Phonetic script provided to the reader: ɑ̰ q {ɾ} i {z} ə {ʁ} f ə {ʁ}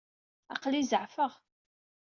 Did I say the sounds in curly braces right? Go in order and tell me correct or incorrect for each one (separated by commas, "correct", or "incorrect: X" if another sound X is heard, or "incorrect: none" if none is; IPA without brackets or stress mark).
incorrect: l, correct, incorrect: ʕ, correct